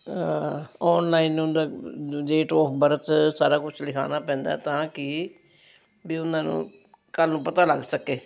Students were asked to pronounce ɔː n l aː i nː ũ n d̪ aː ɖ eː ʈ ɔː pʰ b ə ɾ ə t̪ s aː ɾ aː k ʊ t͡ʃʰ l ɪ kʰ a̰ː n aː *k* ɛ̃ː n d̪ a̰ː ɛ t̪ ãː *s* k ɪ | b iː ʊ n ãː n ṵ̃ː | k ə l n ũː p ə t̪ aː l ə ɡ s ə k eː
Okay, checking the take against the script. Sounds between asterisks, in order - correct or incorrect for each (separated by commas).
incorrect, incorrect